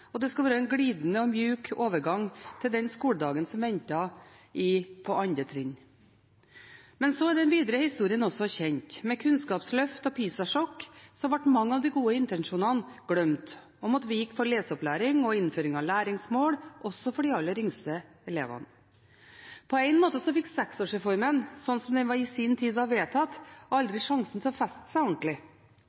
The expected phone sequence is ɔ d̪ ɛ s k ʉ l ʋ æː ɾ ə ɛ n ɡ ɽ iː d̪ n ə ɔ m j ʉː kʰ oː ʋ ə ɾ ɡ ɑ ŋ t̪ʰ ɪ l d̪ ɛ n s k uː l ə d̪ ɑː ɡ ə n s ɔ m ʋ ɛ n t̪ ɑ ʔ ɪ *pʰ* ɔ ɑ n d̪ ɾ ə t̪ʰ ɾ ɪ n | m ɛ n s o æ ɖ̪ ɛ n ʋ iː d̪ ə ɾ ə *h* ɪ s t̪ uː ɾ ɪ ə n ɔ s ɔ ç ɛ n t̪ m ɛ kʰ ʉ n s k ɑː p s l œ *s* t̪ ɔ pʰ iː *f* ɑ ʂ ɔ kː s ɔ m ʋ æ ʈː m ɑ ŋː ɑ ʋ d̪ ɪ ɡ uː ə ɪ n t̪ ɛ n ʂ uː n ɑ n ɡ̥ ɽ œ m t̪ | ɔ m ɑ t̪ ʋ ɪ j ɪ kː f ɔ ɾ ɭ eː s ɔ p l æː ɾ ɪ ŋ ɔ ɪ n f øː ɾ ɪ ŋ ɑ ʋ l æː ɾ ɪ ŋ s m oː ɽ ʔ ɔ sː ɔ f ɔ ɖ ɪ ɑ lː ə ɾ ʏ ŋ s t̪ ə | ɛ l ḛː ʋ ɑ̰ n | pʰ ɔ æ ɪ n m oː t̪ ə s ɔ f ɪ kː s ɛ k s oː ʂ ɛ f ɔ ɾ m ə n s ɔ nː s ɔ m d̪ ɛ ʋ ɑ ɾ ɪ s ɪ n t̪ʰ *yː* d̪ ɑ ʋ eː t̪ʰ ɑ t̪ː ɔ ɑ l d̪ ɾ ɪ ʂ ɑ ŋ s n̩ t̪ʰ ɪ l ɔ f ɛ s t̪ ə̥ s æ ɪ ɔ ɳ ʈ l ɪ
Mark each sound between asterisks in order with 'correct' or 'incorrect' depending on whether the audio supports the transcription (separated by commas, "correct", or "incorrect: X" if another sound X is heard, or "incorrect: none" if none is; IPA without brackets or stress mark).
correct, correct, incorrect: f, incorrect: s, incorrect: iː